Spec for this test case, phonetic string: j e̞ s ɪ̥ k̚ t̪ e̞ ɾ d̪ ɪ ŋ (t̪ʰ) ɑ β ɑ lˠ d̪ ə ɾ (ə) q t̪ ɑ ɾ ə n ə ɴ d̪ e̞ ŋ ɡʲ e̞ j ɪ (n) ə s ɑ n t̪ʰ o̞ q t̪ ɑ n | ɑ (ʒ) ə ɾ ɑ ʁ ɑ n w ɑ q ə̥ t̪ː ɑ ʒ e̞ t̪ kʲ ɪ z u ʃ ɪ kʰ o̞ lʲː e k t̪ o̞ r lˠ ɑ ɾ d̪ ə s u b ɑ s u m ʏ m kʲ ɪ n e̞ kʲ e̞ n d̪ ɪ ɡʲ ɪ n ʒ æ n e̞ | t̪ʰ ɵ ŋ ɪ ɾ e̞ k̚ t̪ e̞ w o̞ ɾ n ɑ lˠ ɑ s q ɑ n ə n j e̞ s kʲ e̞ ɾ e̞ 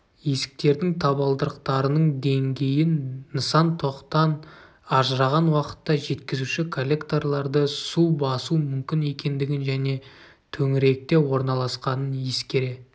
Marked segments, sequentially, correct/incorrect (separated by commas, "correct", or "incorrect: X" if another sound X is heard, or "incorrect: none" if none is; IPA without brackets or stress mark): correct, correct, incorrect: nː, correct